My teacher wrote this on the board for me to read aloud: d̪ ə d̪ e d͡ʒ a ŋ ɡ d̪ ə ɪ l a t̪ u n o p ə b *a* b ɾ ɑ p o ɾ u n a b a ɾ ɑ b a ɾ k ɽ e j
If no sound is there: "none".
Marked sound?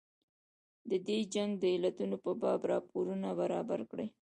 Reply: ɑ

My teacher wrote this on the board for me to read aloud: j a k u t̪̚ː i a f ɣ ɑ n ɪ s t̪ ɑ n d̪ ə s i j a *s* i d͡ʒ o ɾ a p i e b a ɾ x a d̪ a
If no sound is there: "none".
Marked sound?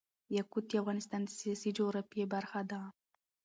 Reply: s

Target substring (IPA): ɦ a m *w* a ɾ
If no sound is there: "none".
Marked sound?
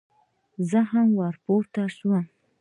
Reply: w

